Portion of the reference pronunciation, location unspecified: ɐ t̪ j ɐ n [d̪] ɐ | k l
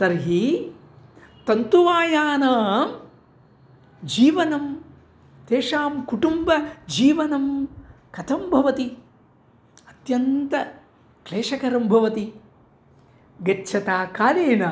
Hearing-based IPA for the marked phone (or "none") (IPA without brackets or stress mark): t̪